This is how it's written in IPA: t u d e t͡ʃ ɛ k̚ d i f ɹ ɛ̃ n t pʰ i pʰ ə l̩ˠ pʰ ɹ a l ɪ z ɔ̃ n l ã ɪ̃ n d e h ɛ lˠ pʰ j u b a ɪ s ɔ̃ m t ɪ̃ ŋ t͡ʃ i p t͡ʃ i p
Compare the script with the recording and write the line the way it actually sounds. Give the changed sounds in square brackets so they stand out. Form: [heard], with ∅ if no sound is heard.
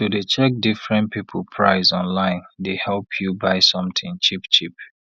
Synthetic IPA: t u d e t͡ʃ ɛ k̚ d i f ɹ ɛ̃ n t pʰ i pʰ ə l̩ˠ pʰ ɹ a [∅] ɪ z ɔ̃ n l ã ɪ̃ n d e h ɛ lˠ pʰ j u b a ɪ s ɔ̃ m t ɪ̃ ŋ t͡ʃ i p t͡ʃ i p